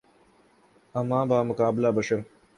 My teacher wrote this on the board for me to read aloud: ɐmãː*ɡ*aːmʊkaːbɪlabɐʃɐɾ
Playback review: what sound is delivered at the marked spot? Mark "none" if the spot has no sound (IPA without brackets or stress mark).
b